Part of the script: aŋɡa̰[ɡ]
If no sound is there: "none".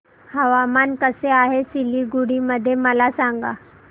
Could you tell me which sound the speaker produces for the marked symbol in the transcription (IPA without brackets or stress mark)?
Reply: none